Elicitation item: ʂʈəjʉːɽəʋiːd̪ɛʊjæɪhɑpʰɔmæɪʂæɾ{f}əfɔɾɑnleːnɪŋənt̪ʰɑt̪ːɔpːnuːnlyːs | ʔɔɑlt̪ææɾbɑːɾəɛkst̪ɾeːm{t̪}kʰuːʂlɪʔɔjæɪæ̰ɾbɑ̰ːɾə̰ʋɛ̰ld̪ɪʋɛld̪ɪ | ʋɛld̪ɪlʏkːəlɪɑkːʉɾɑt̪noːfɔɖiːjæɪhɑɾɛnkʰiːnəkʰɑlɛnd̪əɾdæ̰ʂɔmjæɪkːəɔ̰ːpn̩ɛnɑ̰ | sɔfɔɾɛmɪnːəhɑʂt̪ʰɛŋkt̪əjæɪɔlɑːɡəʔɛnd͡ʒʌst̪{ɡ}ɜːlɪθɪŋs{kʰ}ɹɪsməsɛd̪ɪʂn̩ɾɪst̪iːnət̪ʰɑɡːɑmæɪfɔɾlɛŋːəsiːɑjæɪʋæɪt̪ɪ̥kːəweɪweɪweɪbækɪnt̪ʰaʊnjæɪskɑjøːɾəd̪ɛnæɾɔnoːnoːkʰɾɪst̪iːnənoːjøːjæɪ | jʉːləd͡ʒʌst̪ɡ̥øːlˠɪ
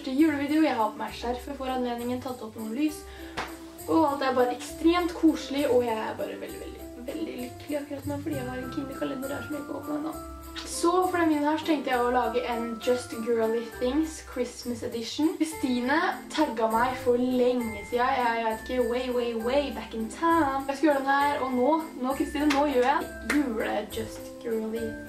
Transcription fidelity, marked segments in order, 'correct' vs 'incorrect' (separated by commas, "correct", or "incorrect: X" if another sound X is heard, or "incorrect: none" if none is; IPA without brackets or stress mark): correct, correct, correct, correct